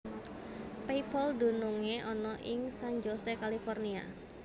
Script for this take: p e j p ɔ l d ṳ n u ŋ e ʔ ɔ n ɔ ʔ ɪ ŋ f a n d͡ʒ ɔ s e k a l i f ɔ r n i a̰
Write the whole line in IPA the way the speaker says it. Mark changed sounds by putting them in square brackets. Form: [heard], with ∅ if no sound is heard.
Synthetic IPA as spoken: p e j p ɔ l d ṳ n u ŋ e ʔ ɔ n ɔ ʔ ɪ ŋ [s] a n d͡ʒ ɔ s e k a l i f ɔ r n i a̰